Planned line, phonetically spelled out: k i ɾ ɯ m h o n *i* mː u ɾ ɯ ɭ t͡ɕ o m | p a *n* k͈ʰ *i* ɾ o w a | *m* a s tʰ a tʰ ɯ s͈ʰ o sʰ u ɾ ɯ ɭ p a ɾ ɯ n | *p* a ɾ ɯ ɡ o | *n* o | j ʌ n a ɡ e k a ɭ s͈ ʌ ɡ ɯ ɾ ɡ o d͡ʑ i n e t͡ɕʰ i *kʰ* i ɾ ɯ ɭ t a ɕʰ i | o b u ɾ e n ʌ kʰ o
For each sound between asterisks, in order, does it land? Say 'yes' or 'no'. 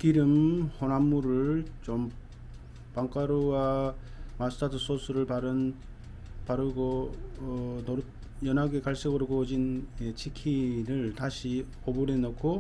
no, no, no, yes, yes, yes, yes

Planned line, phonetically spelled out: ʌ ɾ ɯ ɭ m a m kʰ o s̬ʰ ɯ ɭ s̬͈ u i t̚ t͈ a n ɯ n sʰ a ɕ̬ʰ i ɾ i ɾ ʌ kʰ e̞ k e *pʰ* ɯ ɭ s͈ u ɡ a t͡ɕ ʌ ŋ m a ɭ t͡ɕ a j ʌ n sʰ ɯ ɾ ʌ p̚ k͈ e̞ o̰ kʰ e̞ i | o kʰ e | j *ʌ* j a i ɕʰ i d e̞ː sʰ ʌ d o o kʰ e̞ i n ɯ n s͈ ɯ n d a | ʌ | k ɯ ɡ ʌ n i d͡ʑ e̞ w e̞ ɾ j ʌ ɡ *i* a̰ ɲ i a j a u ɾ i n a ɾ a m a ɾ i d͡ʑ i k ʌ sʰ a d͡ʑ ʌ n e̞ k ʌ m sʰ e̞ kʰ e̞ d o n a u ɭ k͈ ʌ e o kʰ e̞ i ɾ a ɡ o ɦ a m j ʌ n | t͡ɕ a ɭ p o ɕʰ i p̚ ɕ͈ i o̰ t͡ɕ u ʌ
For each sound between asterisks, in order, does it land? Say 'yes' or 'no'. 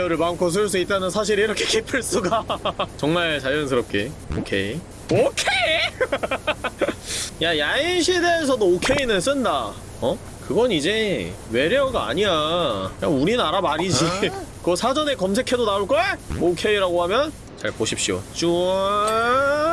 yes, no, no

